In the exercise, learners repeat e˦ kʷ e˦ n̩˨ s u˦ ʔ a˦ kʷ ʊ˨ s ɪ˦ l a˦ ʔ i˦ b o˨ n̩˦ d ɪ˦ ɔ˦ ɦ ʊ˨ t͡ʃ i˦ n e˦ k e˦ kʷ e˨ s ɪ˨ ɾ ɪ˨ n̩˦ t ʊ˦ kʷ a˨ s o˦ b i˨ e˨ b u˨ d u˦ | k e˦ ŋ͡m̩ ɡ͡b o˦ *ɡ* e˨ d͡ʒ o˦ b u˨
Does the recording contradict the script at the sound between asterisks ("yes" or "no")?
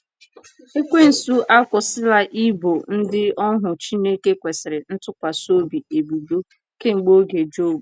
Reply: no